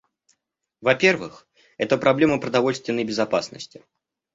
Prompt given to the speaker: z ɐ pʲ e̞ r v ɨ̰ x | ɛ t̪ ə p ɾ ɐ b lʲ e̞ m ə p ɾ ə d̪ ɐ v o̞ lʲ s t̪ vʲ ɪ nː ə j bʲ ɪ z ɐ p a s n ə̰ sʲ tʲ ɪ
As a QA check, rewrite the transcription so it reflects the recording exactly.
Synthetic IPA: v ɐ pʲ e̞ r v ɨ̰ x | ɛ t̪ ə p ɾ ɐ b lʲ e̞ m ə p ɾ ə d̪ ɐ v o̞ lʲ s t̪ vʲ ɪ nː ə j bʲ ɪ z ɐ p a s n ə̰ sʲ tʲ ɪ